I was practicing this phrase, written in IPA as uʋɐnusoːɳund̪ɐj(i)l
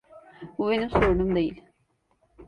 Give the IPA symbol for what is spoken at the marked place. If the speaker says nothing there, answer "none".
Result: i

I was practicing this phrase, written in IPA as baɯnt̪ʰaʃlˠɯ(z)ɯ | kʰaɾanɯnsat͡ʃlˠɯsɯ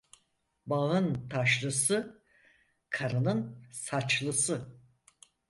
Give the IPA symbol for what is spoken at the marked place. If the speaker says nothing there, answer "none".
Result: s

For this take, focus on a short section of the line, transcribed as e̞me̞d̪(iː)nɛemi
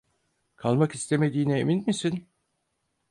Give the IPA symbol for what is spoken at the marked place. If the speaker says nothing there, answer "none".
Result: iː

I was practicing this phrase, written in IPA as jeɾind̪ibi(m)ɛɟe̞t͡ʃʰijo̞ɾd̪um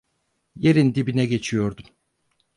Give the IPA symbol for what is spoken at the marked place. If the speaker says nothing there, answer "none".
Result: n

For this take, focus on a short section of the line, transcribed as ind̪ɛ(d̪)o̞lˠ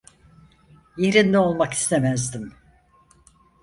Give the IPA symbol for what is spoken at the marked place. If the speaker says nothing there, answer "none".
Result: none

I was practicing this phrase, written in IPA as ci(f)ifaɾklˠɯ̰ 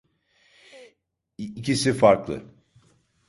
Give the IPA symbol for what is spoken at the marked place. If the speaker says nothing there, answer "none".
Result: s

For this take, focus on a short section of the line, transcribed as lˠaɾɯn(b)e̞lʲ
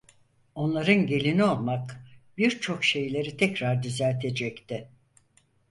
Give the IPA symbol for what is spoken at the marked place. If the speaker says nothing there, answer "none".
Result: ɟ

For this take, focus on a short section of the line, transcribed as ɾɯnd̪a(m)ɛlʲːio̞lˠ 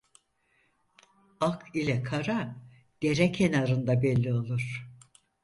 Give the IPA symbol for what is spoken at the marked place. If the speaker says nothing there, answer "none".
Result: b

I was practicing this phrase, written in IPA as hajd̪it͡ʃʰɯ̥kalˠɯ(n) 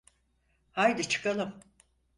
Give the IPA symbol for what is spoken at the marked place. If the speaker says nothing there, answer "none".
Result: m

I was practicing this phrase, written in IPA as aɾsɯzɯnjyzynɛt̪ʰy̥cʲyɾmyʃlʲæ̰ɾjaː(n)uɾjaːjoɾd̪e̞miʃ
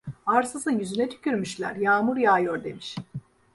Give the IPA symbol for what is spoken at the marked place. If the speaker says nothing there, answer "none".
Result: m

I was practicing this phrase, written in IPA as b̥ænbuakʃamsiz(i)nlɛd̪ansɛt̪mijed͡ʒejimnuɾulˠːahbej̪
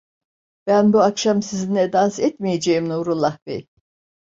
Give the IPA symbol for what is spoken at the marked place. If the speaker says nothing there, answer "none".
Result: i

